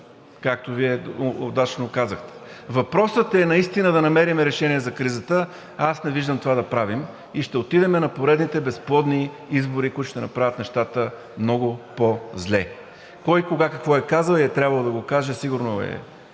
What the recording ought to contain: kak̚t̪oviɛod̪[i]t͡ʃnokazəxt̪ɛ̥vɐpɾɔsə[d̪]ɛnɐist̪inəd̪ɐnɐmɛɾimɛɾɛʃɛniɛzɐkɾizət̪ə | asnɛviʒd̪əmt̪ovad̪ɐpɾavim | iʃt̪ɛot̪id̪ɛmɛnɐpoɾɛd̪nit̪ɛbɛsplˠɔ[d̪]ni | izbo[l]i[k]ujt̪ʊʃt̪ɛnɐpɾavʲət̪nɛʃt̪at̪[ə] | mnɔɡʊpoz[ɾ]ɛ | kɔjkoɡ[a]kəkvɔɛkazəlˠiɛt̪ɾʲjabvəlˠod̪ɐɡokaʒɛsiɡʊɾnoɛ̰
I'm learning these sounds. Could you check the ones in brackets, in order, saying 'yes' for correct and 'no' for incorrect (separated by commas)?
no, no, yes, no, yes, yes, no, yes